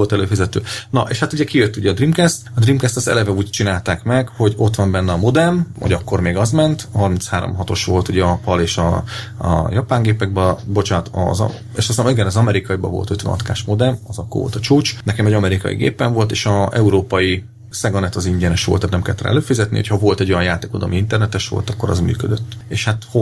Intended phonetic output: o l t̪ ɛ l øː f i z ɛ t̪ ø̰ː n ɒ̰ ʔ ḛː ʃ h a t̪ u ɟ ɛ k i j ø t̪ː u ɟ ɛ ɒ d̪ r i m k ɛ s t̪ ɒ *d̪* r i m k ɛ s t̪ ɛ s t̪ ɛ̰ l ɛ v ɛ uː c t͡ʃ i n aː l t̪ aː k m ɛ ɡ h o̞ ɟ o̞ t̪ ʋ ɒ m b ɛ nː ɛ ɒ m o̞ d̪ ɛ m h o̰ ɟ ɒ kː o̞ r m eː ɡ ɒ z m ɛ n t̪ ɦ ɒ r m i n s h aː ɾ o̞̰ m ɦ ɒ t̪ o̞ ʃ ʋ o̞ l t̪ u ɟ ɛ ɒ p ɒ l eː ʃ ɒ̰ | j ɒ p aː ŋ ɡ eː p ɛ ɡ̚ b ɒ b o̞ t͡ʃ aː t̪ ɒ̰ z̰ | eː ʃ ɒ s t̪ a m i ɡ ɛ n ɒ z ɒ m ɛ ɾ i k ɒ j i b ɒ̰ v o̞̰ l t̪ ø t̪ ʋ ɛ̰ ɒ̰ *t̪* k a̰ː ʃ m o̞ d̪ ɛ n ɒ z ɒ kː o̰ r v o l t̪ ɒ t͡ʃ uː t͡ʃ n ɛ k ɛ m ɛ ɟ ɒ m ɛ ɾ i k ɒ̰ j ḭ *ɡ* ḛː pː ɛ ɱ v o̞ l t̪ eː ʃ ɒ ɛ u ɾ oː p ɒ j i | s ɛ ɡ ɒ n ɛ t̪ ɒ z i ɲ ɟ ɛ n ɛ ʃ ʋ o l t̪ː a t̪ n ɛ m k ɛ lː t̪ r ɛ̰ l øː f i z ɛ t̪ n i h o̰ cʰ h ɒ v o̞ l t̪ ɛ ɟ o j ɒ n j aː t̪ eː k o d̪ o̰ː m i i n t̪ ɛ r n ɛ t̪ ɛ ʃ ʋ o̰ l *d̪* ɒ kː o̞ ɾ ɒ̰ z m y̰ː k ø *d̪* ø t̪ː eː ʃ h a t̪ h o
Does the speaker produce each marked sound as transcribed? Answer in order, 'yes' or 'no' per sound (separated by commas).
yes, yes, yes, no, yes